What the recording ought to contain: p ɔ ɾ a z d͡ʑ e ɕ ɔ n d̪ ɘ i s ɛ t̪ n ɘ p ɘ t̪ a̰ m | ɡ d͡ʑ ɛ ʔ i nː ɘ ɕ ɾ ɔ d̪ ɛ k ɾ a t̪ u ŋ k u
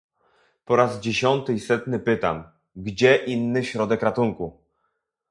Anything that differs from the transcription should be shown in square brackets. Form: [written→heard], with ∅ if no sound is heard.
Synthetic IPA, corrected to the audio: p ɔ ɾ a z d͡ʑ e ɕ ɔ n [d̪→t̪] ɘ i s ɛ t̪ n ɘ p ɘ t̪ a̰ m | ɡ d͡ʑ ɛ ʔ i nː ɘ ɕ ɾ ɔ d̪ ɛ k ɾ a t̪ u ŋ k u